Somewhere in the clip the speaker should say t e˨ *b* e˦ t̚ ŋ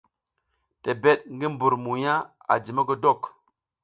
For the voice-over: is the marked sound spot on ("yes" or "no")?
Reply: yes